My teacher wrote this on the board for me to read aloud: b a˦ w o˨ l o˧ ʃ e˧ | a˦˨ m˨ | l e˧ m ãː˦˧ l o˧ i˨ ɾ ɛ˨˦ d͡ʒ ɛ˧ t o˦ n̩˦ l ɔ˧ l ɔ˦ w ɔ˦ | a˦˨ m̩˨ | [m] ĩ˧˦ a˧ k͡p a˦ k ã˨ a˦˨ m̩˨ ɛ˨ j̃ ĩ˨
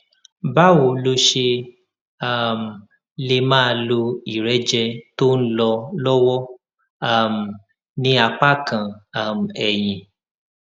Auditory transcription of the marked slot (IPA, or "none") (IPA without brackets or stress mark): n